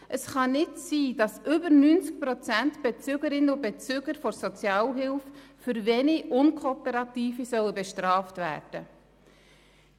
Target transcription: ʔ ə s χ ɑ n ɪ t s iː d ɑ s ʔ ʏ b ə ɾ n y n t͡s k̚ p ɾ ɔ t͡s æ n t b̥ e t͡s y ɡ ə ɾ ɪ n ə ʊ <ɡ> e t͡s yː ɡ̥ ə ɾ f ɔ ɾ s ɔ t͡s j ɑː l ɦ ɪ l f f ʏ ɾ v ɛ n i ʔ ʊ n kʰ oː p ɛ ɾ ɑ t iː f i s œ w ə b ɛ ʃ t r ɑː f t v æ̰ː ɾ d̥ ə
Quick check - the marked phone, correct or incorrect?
incorrect: b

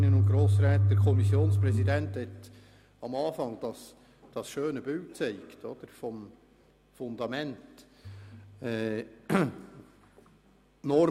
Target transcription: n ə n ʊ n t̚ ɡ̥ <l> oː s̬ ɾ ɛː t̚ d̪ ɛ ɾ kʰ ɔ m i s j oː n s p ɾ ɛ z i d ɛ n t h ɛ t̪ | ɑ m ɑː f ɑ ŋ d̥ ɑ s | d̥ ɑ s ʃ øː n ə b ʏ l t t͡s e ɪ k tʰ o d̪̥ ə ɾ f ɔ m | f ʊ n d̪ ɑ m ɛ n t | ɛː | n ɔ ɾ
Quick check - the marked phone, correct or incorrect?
incorrect: ɾ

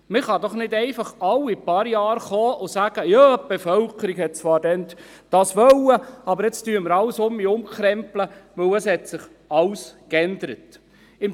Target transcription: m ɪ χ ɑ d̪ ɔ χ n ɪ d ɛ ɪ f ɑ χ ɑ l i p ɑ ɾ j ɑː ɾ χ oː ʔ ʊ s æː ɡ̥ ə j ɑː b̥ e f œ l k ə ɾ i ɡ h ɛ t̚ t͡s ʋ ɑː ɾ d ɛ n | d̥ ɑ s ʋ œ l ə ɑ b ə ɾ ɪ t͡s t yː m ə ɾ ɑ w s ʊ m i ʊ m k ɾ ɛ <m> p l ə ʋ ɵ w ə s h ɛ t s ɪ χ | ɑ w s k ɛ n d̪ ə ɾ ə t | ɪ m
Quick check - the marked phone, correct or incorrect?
correct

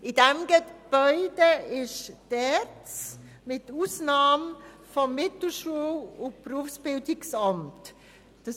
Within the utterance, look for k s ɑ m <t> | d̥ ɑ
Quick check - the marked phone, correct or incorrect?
correct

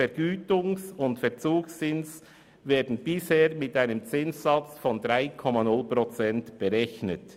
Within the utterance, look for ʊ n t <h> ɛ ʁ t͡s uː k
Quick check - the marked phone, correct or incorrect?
incorrect: f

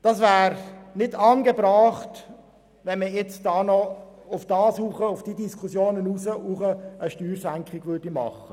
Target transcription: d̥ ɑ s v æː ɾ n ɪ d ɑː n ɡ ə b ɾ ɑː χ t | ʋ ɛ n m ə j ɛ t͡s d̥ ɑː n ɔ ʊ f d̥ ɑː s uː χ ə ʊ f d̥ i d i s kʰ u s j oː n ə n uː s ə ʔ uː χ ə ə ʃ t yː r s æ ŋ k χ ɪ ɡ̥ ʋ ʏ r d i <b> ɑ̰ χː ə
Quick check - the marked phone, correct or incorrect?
incorrect: m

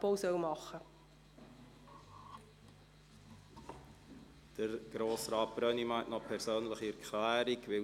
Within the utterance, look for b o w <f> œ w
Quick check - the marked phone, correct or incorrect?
incorrect: s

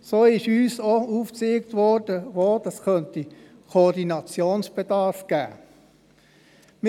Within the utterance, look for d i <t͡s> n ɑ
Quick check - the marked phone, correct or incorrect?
incorrect: none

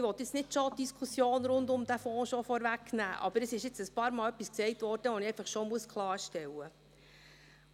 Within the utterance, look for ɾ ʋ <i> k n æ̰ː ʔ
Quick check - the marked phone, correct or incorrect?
incorrect: æ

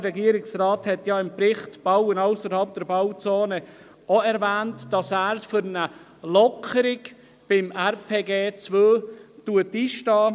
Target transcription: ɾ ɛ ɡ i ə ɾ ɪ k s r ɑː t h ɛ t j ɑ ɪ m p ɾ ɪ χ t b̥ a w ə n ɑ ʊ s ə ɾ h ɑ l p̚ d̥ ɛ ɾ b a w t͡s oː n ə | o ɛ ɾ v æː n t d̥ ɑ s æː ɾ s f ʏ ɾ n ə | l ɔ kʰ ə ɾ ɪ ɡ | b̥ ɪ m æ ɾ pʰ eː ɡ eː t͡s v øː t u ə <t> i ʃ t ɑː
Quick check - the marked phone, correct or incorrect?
correct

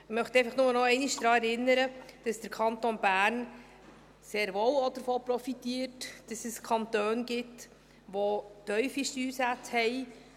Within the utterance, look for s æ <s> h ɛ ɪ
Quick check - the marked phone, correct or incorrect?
incorrect: t͡s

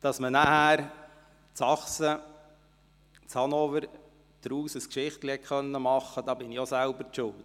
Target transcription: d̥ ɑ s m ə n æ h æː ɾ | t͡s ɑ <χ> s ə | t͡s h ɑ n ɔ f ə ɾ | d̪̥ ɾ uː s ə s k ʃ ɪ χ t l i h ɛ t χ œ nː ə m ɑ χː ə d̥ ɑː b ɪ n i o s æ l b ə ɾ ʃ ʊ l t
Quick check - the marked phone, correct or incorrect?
correct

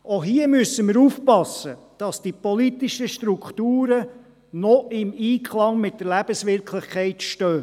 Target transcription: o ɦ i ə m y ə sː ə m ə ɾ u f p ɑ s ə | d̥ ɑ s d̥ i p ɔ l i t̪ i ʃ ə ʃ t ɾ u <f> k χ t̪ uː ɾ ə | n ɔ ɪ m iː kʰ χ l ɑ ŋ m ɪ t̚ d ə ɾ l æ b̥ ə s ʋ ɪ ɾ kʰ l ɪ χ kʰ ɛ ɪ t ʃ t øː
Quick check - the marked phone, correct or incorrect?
incorrect: none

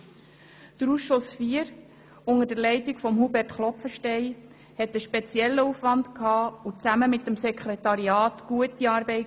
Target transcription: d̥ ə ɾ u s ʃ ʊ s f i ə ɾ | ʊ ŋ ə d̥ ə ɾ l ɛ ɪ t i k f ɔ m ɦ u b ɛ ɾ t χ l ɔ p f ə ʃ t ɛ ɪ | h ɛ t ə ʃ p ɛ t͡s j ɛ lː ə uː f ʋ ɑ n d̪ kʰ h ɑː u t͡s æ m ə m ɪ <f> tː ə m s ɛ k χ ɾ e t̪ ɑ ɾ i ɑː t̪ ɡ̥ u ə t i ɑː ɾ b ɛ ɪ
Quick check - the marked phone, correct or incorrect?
incorrect: none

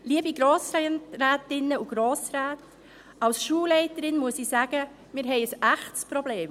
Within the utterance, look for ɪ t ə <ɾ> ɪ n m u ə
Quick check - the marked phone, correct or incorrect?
correct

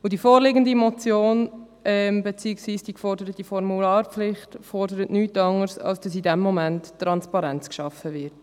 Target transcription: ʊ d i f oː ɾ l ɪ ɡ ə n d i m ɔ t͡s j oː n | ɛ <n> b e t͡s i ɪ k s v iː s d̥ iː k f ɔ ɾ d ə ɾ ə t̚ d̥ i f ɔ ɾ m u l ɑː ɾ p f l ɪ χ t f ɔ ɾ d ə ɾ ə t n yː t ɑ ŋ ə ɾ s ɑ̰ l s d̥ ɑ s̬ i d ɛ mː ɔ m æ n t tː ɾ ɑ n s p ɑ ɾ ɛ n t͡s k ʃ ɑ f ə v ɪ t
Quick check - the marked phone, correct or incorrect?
incorrect: m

